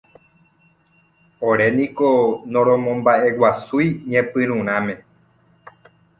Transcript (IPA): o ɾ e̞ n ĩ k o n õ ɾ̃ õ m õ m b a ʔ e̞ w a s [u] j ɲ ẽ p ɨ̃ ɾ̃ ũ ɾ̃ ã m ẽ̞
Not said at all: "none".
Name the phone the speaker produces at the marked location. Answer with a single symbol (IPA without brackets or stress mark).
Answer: u